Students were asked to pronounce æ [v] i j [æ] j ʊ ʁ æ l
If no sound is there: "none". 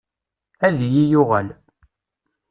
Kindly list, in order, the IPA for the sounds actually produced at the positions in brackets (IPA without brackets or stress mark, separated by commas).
ð, i